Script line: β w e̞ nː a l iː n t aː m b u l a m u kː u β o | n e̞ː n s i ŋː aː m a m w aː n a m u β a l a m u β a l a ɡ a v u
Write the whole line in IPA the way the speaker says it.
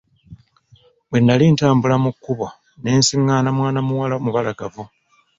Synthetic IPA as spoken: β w e̞ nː a l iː n t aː m b u l a m u kː u β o | n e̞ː n s i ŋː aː n a m w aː n a m u w a l a m u β a l a ɡ a v u

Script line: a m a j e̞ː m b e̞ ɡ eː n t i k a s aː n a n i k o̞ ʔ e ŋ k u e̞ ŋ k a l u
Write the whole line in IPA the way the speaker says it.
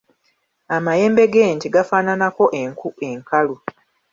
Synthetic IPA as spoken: a m a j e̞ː m b e̞ ɡ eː n t i ɡ a f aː n a n a k o̞ ʔ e ŋ k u e̞ ŋ k a l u

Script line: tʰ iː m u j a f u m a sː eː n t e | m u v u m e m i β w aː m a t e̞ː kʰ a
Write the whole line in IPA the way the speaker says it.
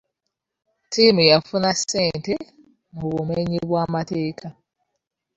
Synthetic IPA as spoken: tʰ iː m u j a f u n a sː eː n t e | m u β u m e ɲ i β w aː m a t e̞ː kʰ a

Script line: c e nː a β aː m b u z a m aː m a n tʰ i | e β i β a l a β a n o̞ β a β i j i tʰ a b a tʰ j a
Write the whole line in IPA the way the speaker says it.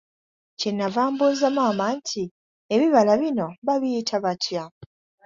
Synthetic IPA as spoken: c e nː a v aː m b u z a m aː m a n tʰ i | e β i β a l a β i n o̞ β a β i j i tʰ a β a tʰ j a

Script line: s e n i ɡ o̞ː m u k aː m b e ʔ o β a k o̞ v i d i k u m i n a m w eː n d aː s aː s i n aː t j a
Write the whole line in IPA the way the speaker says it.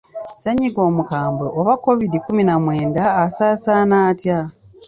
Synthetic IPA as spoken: s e ɲ i ɡ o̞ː m u k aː m b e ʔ o β a k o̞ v i d i k u m i n a m w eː n d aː s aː s a n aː t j a

